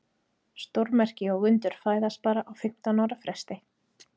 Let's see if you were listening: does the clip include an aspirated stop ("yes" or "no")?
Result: no